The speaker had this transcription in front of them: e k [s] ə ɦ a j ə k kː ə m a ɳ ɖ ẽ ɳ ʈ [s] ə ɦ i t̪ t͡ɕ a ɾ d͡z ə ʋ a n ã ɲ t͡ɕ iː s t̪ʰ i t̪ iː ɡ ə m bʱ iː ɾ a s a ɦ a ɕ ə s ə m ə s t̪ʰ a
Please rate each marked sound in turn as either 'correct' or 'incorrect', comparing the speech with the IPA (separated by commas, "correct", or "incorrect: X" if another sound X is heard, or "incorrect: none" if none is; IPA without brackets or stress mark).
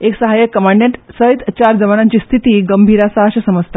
correct, correct